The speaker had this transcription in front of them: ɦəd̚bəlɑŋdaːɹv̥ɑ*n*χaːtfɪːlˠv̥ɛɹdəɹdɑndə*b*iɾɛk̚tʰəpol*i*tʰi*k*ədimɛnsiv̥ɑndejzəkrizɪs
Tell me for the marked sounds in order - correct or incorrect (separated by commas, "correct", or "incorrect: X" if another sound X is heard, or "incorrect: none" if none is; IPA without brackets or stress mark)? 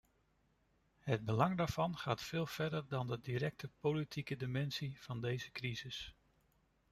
correct, incorrect: d, correct, correct